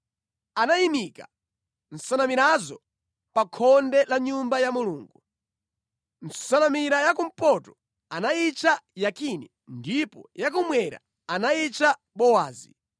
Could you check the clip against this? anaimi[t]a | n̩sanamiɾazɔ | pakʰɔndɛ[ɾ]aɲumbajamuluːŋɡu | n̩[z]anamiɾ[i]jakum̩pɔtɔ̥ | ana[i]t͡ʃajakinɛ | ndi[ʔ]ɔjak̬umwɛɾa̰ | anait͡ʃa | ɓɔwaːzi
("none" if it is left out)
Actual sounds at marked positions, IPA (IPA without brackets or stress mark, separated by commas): k, l, s, a, i, p